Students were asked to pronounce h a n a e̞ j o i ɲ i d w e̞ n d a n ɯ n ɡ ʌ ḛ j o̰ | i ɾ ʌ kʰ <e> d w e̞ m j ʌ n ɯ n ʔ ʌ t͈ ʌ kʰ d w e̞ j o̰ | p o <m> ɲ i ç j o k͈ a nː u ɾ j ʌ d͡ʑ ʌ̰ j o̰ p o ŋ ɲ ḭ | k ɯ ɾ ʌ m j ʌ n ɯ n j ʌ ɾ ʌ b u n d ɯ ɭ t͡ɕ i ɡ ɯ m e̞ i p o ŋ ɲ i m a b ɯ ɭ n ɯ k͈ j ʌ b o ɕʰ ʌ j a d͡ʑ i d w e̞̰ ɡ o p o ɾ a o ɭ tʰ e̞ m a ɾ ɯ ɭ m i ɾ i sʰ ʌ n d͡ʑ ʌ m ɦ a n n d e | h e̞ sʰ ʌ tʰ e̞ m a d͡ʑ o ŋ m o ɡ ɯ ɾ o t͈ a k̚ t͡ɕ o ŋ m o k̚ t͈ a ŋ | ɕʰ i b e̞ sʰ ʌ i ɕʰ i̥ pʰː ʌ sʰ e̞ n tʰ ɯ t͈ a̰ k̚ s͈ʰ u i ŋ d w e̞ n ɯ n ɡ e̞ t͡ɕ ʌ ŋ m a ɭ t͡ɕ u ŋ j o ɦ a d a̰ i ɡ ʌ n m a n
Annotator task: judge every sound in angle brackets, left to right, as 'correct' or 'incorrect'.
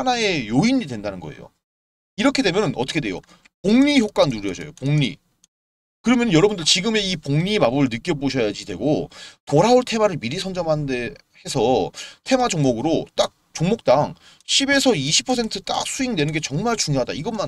correct, incorrect: ŋ

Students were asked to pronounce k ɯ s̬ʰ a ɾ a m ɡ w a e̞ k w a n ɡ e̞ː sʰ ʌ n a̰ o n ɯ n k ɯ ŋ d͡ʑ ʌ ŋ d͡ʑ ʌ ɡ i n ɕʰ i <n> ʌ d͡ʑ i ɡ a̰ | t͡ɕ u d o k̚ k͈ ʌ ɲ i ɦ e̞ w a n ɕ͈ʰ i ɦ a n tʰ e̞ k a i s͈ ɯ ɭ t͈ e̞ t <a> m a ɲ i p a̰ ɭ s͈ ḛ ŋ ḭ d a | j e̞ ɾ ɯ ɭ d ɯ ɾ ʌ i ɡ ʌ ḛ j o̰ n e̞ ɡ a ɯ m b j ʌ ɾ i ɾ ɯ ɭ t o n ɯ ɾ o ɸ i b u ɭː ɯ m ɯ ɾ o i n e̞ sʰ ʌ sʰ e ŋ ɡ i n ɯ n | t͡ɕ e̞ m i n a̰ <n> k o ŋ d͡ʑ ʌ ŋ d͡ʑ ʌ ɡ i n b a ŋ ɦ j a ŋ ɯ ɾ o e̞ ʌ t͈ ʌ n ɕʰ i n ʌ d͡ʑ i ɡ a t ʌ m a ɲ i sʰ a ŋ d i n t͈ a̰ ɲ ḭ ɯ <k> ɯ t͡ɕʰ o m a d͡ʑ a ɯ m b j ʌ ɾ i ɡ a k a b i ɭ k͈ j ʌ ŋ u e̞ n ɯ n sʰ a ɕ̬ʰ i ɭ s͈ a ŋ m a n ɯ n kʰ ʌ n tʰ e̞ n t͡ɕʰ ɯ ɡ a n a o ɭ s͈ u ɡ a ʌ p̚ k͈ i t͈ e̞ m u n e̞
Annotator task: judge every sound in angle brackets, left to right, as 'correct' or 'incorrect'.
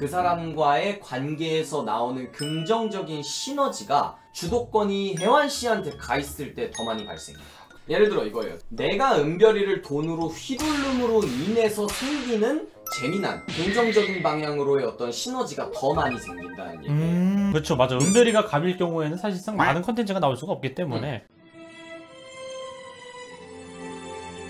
correct, incorrect: ʌ, correct, correct

